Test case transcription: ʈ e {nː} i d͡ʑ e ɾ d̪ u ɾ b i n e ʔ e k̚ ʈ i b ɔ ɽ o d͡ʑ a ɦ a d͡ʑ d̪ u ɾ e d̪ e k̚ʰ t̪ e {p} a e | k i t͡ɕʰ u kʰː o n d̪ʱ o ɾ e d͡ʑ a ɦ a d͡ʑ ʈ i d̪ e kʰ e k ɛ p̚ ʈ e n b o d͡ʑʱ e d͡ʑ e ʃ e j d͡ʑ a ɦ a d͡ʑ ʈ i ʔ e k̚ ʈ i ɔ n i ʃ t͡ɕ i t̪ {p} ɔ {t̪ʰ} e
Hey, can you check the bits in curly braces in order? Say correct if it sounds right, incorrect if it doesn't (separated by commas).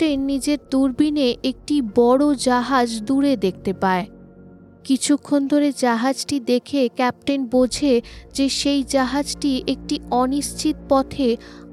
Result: correct, correct, correct, correct